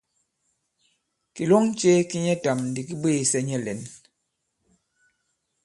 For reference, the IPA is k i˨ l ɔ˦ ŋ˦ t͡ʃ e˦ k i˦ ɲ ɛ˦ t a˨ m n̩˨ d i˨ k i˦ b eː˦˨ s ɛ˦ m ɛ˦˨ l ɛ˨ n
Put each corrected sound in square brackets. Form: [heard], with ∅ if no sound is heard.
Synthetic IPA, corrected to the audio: k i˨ l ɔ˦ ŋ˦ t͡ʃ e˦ k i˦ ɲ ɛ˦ t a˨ m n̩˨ d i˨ k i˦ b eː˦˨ s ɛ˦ [ɲ] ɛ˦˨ l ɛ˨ n